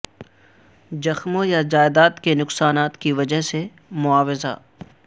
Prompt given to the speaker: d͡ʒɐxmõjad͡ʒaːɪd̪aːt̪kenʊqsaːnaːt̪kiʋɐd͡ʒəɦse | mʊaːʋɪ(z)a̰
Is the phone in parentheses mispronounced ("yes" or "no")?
no